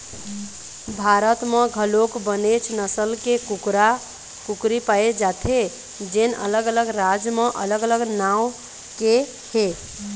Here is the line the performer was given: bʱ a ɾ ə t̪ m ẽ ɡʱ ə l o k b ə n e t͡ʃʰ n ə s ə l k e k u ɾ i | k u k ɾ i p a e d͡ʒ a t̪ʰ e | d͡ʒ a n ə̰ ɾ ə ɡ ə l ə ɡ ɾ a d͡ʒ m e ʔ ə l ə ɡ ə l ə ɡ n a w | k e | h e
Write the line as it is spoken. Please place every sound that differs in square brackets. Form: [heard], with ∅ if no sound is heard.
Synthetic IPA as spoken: bʱ a ɾ ə t̪ m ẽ ɡʱ ə l o k b ə n e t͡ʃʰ n ə s ə l k e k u ɾ [a] | k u k ɾ i p a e d͡ʒ a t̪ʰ e | d͡ʒ [e] n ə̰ [l] ə ɡ ə l ə ɡ ɾ a d͡ʒ m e ʔ ə l ə ɡ ə l ə ɡ n a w | k e | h e